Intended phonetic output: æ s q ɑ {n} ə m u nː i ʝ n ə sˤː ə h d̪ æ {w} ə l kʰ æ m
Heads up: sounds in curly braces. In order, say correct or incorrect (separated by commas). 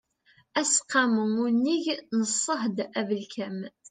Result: incorrect, incorrect